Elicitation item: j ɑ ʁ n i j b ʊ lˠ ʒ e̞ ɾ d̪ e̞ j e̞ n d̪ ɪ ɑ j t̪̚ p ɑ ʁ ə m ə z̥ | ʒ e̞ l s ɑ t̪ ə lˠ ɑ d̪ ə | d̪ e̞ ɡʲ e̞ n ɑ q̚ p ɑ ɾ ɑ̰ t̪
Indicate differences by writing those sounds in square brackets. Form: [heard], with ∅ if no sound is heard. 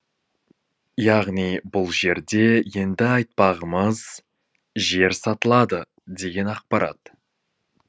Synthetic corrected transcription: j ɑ ʁ n i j b ʊ lˠ ʒ e̞ ɾ d̪ e̞ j e̞ n d̪ ɪ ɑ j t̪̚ p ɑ ʁ ə m ə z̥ | ʒ e̞ [ɾ] s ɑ t̪ ə lˠ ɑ d̪ ə | d̪ e̞ ɡʲ e̞ n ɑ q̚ p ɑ ɾ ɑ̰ t̪